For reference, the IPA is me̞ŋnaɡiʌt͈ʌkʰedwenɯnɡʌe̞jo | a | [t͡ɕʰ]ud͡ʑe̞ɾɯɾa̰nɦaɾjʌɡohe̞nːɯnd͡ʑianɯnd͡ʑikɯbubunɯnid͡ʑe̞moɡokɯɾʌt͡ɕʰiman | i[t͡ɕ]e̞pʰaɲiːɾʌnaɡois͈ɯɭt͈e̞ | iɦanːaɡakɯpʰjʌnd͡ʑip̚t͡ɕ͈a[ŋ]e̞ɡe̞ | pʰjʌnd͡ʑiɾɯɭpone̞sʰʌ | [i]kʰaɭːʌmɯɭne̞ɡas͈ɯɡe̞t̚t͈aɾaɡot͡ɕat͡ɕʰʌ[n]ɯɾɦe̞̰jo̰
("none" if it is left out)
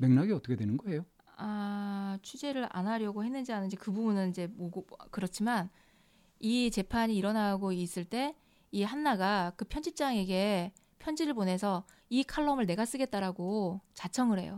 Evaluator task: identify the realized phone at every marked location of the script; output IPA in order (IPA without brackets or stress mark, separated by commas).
t͡ɕʰ, t͡ɕ, ŋ, i, ŋ